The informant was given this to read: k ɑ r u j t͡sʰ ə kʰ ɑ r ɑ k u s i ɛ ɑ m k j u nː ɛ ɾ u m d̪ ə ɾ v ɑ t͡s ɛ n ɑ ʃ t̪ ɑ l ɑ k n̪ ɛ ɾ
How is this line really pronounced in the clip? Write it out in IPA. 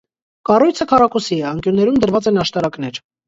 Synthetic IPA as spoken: k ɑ r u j t͡sʰ ə kʰ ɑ r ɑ k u s i ɛ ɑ ŋ k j u nː ɛ ɾ u m d̪ ə ɾ v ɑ t͡s ɛ n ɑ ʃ t̪ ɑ ɾ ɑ k n̪ ɛ ɾ